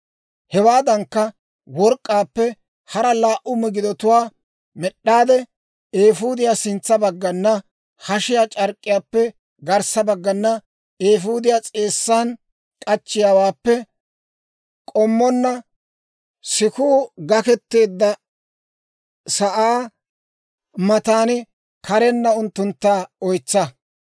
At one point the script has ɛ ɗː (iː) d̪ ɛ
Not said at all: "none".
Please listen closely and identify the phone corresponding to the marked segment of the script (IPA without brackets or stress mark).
aː